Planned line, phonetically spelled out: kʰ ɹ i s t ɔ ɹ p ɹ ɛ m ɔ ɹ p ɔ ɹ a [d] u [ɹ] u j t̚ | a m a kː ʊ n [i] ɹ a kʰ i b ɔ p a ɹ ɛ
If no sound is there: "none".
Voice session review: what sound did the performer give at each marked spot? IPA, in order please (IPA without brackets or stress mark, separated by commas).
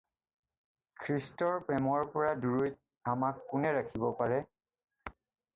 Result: d, ɹ, ɛ